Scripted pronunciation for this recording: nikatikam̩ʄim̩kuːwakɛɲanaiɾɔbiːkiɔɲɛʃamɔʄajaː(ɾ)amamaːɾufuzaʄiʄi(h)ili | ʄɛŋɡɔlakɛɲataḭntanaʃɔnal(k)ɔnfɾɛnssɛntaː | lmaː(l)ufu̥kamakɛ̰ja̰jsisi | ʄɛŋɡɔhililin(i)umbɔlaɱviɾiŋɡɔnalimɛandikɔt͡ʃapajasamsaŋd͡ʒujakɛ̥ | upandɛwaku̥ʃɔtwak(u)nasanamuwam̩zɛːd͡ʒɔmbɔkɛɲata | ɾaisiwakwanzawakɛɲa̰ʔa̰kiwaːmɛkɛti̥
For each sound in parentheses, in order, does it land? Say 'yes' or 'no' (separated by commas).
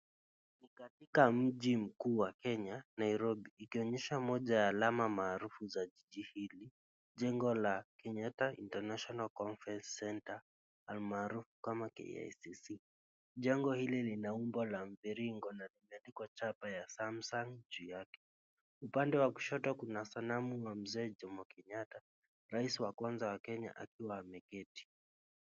no, yes, yes, no, no, yes